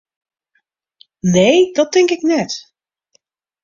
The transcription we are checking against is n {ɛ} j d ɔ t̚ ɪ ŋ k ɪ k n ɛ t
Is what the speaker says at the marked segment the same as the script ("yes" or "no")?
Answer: no